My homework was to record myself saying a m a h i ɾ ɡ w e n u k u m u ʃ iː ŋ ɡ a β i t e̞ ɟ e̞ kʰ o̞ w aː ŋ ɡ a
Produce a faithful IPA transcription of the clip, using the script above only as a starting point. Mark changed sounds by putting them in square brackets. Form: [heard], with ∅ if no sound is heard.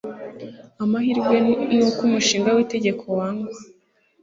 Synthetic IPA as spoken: a m a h i ɾ ɡ w e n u k u m u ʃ iː ŋ ɡ a [w] i t e̞ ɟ e̞ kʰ o̞ w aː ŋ ɡ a